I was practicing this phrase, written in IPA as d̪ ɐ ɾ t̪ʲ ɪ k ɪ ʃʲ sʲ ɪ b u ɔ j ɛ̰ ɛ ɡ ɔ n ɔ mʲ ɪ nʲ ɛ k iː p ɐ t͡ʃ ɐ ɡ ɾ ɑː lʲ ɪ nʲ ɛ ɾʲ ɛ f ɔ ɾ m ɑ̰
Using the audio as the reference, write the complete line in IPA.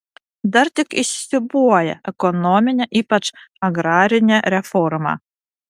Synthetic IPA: d̪ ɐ ɾ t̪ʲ ɪ k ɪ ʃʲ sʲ ɪ b u ɔ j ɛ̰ ɛ k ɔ n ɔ mʲ ɪ nʲ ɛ ʔ iː p ɐ t͡ʃ ɐ ɡ ɾ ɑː ɾʲ ɪ nʲ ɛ ɾʲ ɛ f ɔ ɾ m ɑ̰

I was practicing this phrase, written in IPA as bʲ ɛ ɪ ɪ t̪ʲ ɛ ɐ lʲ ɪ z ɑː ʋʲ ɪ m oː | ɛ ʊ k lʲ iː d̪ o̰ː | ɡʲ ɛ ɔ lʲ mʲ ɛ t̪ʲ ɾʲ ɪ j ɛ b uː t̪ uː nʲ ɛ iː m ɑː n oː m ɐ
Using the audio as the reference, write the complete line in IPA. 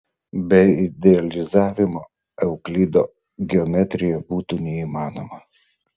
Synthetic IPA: bʲ ɛ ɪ ɪ d̪ʲ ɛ ɐ lʲ ɪ z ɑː ʋʲ ɪ m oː | ɛ ʊ k lʲ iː d̪ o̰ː | ɡʲ ɛ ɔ mʲ ɛ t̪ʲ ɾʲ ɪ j ɛ b uː t̪ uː nʲ ɛ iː m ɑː n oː m ɐ

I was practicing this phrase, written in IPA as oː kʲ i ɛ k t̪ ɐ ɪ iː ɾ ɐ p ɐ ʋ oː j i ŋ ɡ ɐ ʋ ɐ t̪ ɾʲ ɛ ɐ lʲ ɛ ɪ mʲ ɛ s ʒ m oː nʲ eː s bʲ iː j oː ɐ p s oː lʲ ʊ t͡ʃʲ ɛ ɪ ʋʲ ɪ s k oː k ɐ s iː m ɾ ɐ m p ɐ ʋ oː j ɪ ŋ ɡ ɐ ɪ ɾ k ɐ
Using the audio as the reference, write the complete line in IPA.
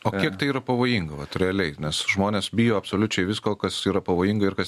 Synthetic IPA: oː kʲ i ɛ k t̪ ɐ ɪ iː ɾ ɐ p ɐ ʋ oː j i ŋ ɡ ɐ ʋ ɐ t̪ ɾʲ ɛ ɐ lʲ ɛ ɪ nʲ ɛ s ʒ m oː nʲ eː s bʲ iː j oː ɐ p s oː lʲ ʊ t͡ʃʲ ɛ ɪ ʋʲ ɪ s k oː k ɐ s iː ɾ ɐ p ɐ ʋ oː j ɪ ŋ ɡ ɐ ɪ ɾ k ɐ

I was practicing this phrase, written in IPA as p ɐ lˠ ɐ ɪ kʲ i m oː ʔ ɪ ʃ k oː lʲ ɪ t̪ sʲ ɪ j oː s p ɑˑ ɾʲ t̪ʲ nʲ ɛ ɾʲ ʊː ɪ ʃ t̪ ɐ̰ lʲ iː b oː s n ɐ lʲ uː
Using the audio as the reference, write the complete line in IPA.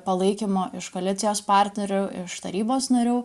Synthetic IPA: p ɐ lˠ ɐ ɪ kʲ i m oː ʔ ɪ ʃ k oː lʲ ɪ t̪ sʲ ɪ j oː s p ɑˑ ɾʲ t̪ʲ nʲ ɛ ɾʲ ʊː ɪ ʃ t̪ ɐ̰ ɾʲ iː b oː s n ɐ ɾʲ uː

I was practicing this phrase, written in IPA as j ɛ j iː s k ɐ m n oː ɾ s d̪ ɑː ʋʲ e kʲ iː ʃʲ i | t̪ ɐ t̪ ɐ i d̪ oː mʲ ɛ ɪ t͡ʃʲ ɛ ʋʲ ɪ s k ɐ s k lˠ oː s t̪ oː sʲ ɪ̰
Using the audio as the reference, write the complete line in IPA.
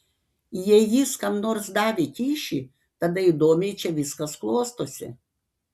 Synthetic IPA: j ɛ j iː s k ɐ m n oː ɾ s d̪ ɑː ʋʲ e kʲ iː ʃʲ i | t̪ ɐ d̪ ɐ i d̪ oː mʲ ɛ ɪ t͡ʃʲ ɛ ʋʲ ɪ s k ɐ s k lˠ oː s t̪ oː sʲ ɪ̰

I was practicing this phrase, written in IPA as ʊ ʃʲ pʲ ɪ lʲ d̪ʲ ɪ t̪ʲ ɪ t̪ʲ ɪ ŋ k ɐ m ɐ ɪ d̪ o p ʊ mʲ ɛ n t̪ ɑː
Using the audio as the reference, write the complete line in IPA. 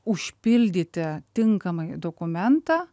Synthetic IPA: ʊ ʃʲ pʲ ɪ lʲ d̪ʲ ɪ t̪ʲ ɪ t̪ʲ ɪ ŋ k ɐ m ɐ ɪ d̪ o k ʊ mʲ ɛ n t̪ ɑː

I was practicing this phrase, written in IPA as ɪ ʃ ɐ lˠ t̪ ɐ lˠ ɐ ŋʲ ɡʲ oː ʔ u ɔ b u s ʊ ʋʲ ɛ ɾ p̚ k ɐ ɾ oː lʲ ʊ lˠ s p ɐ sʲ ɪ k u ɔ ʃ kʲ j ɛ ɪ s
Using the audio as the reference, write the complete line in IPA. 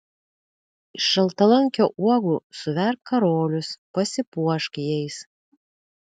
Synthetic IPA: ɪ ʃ ɐ lˠ t̪ ɐ lˠ ɐ ŋʲ kʲ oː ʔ u ɔ ɡ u s ʊ ʋʲ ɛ ɾ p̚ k ɐ ɾ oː lʲ ʊ s p ɐ sʲ ɪ p u ɔ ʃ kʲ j ɛ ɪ s

